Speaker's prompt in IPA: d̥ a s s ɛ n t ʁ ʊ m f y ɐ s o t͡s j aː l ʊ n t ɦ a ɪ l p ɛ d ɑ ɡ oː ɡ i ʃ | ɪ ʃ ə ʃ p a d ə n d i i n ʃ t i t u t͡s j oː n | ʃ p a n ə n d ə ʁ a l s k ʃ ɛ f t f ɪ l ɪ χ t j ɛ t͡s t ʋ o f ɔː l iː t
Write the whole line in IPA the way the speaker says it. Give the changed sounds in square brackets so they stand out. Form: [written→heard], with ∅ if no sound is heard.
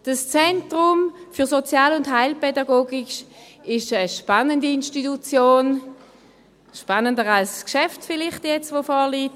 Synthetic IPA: d̥ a s [s→t͡s] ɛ n t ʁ ʊ m f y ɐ s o t͡s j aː l ʊ n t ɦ a ɪ l p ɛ d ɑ ɡ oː ɡ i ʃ | ɪ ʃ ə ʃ p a [d→n] ə n d i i n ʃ t i t u t͡s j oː n | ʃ p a n ə n d ə ʁ a l s k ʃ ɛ f t f ɪ l ɪ χ t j ɛ t͡s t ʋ o f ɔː l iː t

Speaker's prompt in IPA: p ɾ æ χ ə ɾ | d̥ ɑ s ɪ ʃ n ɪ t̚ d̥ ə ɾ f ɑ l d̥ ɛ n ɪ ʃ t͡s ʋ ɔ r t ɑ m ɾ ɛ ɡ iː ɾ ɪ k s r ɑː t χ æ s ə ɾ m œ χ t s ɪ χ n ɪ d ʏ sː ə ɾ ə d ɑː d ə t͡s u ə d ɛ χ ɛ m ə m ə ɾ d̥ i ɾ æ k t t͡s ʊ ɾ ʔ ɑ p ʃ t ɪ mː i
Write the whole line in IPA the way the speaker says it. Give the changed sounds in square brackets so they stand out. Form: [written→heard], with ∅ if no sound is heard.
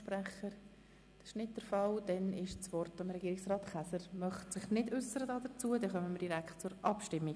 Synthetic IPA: p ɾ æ χ ə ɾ | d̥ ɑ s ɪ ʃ n ɪ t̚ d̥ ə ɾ f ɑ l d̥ ɛ n ɪ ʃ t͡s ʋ ɔ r t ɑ m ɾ ɛ ɡ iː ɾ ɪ k s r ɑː t χ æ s ə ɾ m œ χ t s ɪ χ n ɪ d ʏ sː ə ɾ ə d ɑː d ə t͡s u ə d ɛ χ [ɛ→œ] m ə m ə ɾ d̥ i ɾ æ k t t͡s ʊ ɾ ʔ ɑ p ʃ t ɪ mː i

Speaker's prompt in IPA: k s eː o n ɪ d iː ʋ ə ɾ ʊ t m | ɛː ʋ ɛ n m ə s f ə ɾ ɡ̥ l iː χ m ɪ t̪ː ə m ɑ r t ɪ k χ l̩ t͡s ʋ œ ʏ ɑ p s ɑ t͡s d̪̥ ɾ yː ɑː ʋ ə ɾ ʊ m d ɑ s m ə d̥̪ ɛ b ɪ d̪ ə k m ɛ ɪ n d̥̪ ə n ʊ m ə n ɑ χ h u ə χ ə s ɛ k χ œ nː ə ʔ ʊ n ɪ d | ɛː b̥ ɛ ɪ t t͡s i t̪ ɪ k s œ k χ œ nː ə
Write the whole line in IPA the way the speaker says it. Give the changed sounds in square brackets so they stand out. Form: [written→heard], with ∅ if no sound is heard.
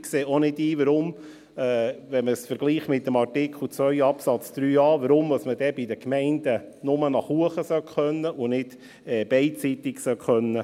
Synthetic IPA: k s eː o n ɪ d iː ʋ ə ɾ ʊ [t→∅] m | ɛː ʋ ɛ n m ə s f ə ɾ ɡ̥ l iː χ m ɪ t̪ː ə m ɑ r t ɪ k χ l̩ t͡s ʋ œ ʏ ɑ p s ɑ t͡s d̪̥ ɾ yː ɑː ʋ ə ɾ ʊ m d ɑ s m ə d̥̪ ɛ b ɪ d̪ ə k m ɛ ɪ n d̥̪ ə n ʊ m ə n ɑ χ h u ə χ ə s [ɛ→œ] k χ œ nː ə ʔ ʊ n ɪ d | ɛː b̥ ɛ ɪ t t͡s i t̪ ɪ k s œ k χ œ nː ə

